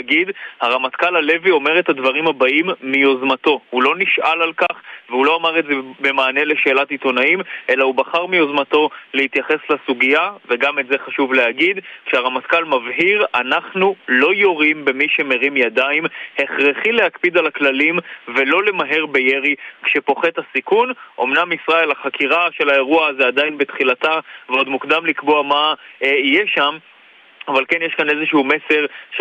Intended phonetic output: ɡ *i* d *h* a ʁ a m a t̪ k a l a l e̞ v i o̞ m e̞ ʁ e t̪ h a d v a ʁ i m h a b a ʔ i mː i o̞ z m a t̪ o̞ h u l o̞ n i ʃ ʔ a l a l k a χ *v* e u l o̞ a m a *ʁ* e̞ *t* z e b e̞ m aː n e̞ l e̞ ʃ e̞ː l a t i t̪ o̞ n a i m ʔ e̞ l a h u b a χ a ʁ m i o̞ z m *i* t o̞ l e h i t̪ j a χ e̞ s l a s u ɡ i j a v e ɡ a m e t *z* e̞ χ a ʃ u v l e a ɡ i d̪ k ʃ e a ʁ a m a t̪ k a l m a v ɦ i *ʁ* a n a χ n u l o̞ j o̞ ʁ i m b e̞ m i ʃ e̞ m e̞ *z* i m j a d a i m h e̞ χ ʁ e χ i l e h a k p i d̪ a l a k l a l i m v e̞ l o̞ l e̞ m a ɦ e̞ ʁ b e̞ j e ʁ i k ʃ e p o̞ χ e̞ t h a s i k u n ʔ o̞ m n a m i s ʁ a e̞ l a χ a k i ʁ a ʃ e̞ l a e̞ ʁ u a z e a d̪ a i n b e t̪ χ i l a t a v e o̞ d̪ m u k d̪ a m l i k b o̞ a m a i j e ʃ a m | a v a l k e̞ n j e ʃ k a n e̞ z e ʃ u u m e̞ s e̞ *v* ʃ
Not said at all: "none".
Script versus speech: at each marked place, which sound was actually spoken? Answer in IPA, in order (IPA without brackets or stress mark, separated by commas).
i, h, v, ʁ, t, a, z, ʁ, ʁ, ʁ